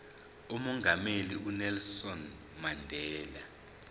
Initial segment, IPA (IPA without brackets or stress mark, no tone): u